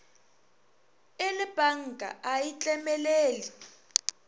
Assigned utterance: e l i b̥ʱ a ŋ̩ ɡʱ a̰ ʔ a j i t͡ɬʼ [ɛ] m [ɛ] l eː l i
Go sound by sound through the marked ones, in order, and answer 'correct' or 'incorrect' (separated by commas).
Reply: correct, correct